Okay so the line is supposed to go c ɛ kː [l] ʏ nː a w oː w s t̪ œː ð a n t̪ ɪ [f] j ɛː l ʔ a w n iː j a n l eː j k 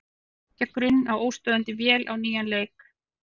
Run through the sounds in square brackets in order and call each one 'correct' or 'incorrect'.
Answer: incorrect: ɾ, incorrect: v

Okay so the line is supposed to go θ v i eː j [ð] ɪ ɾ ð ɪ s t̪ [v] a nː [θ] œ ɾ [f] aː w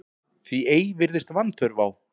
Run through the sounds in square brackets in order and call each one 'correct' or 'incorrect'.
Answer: incorrect: v, correct, correct, incorrect: v

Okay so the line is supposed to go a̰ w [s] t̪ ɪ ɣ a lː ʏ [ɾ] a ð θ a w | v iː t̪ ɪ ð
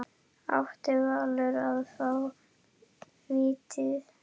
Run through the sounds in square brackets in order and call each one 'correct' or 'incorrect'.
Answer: incorrect: h, correct

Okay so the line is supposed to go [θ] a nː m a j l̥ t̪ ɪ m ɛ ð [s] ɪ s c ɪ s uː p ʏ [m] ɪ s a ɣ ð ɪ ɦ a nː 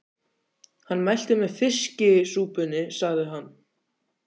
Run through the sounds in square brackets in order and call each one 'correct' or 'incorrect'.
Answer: incorrect: h, incorrect: f, incorrect: n

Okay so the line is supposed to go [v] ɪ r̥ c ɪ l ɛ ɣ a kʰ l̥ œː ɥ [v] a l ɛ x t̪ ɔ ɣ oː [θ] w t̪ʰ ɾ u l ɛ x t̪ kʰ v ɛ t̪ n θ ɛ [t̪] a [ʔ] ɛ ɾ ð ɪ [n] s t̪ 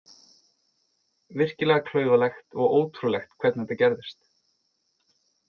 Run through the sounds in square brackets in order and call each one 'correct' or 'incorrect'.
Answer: correct, correct, incorrect: none, correct, incorrect: c, incorrect: none

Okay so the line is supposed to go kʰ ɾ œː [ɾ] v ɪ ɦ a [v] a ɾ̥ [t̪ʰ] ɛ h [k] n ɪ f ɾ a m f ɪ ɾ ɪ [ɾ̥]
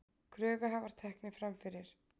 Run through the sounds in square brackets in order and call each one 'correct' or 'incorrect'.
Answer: incorrect: none, correct, correct, correct, correct

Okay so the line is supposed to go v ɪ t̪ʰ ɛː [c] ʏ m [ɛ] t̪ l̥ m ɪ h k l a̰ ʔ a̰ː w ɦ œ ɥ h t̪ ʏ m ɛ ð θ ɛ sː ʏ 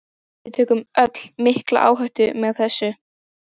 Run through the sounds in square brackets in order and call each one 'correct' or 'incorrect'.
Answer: incorrect: k, incorrect: œ

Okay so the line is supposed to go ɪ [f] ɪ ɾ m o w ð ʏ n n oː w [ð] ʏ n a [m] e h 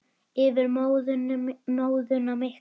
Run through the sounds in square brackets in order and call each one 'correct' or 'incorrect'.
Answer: incorrect: v, correct, correct

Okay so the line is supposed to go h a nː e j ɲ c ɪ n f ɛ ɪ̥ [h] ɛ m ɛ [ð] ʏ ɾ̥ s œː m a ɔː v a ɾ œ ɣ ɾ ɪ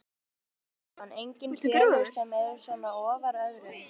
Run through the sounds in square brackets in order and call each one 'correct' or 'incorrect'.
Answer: incorrect: s, correct

